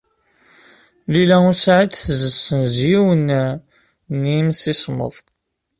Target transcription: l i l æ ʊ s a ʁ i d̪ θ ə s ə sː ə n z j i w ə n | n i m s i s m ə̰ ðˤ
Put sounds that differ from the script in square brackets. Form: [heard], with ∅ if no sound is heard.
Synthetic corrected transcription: l i l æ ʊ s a [ʕ] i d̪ θ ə [z] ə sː ə n z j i w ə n | n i m s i s m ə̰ ðˤ